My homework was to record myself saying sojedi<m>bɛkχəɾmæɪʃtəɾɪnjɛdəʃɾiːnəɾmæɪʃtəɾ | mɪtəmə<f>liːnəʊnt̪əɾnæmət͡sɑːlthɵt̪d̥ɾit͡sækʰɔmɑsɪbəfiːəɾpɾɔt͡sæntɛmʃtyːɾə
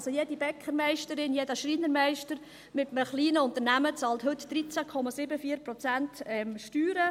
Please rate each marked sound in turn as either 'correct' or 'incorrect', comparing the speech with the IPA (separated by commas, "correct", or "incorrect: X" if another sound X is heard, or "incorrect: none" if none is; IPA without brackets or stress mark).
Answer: incorrect: none, incorrect: χ